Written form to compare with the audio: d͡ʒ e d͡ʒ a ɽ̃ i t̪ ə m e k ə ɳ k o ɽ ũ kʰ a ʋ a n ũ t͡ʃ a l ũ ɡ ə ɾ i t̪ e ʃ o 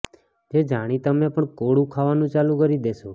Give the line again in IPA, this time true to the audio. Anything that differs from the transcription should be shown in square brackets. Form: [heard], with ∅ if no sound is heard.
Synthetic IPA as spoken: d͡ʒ e d͡ʒ a ɽ̃ i t̪ ə m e [p] ə ɳ k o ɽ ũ kʰ a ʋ a n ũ t͡ʃ a l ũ [k] ə ɾ i [d̪] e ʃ o